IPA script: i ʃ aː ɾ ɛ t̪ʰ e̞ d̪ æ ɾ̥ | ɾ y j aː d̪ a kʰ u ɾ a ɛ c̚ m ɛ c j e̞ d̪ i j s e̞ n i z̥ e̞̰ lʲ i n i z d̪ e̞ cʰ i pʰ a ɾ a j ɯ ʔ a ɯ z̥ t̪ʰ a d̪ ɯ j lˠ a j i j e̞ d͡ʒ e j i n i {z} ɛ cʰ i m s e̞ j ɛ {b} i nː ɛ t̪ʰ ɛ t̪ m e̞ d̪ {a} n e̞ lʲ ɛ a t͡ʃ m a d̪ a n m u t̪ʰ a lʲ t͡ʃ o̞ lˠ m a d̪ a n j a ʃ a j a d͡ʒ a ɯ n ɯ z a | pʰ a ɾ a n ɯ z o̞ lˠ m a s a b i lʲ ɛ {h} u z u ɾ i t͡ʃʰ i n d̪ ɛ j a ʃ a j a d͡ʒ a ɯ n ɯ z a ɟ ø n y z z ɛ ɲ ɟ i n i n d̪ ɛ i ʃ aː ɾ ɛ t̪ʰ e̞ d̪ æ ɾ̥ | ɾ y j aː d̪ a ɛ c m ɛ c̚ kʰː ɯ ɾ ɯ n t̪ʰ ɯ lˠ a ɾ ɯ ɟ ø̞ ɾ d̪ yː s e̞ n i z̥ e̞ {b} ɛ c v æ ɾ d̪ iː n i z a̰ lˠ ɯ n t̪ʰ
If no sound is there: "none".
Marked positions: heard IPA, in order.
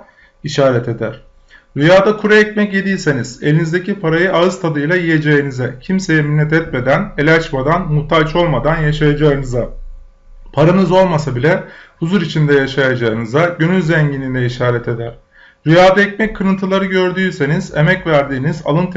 z, m, æ, h, m

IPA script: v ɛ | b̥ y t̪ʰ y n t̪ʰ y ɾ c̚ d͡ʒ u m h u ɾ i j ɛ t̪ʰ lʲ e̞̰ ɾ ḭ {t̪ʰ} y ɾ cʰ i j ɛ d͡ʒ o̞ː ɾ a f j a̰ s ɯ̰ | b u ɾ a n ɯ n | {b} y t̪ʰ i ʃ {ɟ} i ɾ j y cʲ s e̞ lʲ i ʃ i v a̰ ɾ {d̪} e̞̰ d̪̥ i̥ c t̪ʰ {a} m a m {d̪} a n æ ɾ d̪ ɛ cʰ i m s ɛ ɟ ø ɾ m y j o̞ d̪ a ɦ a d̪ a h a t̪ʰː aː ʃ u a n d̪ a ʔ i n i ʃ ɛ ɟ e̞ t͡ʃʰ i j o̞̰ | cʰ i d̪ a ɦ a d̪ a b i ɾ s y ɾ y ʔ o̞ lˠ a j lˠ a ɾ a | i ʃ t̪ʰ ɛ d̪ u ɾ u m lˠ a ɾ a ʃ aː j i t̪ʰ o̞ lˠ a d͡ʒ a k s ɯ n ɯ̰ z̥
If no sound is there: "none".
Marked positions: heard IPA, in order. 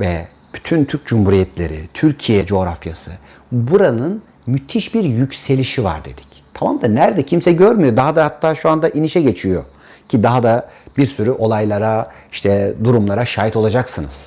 t̪ʰ, m, b, d̪, a, d̪

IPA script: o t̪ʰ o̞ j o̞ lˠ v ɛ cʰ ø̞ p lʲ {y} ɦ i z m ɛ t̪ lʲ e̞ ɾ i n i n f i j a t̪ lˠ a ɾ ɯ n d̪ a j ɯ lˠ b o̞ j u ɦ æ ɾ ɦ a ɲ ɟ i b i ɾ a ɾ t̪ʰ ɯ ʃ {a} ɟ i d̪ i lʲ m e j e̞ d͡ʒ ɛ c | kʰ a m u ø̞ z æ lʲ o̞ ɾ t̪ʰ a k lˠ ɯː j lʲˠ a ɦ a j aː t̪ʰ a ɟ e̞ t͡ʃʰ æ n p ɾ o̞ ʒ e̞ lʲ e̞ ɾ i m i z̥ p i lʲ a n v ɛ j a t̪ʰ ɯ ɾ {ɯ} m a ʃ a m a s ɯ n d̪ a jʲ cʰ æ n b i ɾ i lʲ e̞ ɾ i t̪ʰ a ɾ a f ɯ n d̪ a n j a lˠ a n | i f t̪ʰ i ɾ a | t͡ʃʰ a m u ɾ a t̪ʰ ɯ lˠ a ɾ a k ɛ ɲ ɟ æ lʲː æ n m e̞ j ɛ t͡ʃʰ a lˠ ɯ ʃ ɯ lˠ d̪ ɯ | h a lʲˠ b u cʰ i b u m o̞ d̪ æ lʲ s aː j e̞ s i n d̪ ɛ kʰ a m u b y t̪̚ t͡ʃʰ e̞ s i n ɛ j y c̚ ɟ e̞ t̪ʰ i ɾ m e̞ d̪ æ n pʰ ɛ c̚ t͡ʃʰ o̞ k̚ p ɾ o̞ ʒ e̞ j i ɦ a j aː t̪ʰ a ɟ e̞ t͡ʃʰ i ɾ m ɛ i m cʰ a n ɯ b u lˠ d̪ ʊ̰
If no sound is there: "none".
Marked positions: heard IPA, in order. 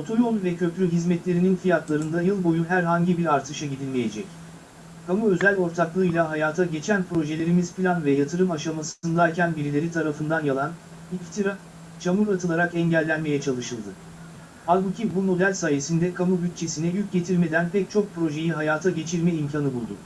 y, a, ɯ

